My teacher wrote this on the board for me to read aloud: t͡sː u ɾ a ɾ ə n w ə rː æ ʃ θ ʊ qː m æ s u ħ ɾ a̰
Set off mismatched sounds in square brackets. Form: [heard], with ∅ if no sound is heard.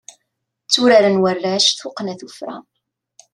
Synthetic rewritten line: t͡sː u ɾ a ɾ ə n w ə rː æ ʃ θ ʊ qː [n] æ [θ] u [f] ɾ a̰